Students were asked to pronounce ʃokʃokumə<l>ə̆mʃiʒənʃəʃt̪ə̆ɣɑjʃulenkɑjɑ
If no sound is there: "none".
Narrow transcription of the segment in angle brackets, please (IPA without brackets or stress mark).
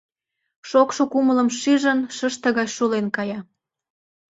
l